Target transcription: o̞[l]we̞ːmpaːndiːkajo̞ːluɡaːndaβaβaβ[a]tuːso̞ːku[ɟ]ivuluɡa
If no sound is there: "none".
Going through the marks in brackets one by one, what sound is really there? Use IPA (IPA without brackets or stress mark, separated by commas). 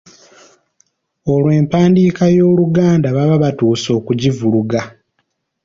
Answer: l, a, ɟ